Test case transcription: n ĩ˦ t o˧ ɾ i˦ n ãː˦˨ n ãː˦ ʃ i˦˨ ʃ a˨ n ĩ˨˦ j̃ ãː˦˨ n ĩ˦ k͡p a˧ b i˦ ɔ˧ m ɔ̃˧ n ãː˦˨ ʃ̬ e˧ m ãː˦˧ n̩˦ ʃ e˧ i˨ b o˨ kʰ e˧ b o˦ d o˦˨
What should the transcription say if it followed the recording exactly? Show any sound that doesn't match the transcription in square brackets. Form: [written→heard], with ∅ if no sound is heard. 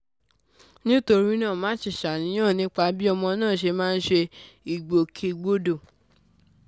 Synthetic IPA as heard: n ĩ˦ t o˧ ɾ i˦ n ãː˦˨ [n→m] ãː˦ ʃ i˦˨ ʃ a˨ n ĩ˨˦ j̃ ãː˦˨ n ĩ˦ k͡p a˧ b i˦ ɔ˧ m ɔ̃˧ n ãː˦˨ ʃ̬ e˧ m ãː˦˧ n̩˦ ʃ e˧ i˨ [b→ɡ͡b] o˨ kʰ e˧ [b→ɡ͡b] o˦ d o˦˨